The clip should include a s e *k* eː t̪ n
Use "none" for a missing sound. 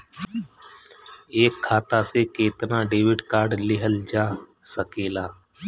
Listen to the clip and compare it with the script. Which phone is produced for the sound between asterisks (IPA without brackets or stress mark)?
k